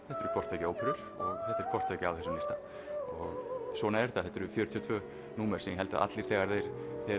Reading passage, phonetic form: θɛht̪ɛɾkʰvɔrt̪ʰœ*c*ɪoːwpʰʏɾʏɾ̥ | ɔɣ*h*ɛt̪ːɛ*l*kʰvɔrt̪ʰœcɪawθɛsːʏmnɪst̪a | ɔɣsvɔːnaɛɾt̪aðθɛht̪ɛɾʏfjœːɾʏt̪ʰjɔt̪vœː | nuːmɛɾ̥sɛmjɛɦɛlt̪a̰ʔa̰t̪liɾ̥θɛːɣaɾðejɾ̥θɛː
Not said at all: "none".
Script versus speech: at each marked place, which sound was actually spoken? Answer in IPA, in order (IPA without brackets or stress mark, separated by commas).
c, θ, ɾ